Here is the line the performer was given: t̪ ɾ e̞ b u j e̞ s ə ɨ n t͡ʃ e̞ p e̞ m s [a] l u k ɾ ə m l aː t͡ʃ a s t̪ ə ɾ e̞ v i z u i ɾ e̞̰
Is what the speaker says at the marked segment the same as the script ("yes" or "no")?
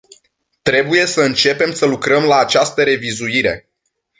no